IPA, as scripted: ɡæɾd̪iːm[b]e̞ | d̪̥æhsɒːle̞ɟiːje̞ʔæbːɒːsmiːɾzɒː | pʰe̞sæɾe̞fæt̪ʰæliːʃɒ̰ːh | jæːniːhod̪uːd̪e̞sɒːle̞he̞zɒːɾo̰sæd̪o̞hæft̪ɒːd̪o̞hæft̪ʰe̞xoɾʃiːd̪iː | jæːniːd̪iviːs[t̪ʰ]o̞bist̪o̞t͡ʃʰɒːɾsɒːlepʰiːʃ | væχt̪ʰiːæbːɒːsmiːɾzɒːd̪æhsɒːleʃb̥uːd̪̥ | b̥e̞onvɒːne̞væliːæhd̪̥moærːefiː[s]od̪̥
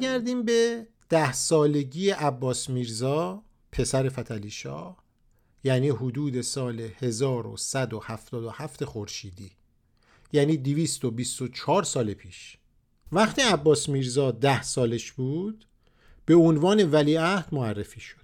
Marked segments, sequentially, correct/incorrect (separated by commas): correct, incorrect, incorrect